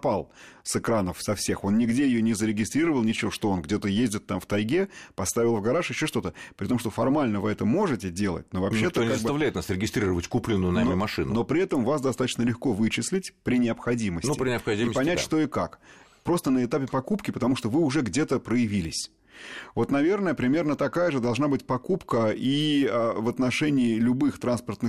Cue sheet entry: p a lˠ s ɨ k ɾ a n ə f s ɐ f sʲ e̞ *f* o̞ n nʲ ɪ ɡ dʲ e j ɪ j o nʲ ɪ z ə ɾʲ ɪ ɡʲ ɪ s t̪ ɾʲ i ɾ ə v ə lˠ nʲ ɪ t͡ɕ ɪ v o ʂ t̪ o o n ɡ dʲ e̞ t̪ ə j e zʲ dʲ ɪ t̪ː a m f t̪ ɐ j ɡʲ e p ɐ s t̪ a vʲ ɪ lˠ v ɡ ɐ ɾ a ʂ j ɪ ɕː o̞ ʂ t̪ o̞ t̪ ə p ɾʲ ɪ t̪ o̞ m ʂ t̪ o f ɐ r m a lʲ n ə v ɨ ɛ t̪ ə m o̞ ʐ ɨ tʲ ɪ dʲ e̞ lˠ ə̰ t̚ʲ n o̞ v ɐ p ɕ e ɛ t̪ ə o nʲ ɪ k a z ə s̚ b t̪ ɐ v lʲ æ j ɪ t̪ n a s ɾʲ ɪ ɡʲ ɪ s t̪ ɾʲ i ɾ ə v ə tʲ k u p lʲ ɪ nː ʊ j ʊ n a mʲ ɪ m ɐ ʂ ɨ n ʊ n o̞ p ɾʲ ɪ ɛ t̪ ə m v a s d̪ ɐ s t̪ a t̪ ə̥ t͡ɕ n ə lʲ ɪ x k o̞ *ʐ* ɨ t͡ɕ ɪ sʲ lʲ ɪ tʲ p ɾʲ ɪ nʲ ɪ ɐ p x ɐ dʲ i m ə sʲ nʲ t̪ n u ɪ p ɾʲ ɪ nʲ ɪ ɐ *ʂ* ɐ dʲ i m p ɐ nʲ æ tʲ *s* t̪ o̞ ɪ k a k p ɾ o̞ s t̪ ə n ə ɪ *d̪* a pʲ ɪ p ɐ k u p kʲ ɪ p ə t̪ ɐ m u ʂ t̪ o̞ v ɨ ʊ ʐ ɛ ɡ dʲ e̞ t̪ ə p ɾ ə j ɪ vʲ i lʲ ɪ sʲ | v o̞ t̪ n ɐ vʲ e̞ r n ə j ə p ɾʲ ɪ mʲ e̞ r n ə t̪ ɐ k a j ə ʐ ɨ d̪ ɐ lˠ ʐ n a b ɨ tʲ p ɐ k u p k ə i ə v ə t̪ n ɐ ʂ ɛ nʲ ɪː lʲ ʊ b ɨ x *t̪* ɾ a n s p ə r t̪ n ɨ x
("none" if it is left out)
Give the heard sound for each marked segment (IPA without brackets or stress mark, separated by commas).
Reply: x, v, x, ʂ, t̪, t̪